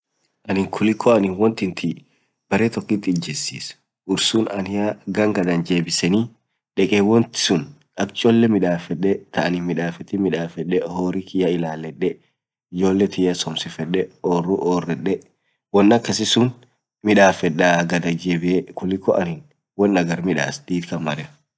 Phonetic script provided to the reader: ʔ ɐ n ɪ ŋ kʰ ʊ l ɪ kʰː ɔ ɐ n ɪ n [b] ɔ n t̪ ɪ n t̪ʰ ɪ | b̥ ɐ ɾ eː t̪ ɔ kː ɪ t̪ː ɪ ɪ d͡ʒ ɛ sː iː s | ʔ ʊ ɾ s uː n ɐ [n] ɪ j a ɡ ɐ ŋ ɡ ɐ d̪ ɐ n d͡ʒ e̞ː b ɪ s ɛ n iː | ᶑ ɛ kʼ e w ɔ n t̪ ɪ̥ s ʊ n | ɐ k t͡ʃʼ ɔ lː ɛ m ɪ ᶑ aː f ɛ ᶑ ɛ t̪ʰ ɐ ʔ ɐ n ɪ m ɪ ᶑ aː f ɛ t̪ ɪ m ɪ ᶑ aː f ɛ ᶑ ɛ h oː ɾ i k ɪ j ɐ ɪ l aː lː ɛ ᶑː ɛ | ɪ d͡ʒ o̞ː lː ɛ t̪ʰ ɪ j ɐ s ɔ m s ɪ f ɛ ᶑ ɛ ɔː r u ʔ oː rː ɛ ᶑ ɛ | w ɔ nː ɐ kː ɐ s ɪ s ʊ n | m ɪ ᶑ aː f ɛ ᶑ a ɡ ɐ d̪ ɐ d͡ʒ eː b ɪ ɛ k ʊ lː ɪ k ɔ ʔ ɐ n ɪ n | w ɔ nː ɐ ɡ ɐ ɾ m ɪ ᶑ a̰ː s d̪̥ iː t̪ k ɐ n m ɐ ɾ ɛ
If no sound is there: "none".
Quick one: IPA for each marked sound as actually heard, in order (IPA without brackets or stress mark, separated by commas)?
w, n